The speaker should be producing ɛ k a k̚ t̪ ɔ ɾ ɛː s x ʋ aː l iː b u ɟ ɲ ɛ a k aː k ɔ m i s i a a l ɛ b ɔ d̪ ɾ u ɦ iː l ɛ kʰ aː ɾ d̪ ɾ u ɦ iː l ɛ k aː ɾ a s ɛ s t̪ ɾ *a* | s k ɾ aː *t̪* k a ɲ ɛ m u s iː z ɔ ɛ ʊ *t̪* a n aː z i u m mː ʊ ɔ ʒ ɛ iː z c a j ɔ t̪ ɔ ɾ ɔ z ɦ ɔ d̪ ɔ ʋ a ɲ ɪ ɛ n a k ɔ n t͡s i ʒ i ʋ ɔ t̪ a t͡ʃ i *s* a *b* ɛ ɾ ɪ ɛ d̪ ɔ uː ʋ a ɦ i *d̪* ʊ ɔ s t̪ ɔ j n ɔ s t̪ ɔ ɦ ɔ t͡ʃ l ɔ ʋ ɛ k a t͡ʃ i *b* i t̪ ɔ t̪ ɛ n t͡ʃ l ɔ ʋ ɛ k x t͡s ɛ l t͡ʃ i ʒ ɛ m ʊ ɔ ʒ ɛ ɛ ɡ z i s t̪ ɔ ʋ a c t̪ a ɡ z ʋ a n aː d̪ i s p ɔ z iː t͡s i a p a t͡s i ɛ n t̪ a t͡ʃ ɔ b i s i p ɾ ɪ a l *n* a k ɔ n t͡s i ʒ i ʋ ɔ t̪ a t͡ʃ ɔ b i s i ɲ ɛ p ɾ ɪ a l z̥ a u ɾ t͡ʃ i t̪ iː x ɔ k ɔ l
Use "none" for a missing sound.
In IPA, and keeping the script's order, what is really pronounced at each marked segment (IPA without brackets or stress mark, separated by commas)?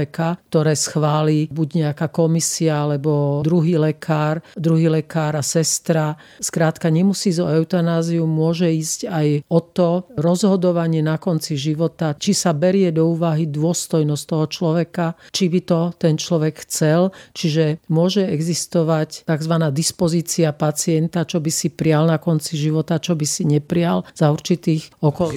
a, t̪, t̪, s, b, d̪, b, n